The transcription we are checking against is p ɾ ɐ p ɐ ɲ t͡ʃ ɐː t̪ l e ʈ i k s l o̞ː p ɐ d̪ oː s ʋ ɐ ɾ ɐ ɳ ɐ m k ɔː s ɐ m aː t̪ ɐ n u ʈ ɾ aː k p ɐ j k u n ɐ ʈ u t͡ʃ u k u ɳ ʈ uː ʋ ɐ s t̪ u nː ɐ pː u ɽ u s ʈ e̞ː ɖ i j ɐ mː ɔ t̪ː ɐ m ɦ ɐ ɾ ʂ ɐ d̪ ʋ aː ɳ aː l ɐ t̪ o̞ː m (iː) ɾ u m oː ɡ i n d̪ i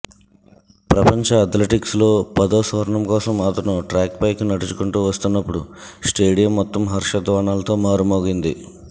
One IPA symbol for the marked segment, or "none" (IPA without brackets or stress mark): aː